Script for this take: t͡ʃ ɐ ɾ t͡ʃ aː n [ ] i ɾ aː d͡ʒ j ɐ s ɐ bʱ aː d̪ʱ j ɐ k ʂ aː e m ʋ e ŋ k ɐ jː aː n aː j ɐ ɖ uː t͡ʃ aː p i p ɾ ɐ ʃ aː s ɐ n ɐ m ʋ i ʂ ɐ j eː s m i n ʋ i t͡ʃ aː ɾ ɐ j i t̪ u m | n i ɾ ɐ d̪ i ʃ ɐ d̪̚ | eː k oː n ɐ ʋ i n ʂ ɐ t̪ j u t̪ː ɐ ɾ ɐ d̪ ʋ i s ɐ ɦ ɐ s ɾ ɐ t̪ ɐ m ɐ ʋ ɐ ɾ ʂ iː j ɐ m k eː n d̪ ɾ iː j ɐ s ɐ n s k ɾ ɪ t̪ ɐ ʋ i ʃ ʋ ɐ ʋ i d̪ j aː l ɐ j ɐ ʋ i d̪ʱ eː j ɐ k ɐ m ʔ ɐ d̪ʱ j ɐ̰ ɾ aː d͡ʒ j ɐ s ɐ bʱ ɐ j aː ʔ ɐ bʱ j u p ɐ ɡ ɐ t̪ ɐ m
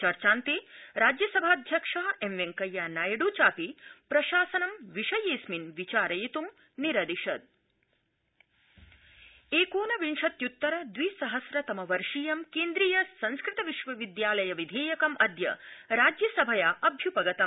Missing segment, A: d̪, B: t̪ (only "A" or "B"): B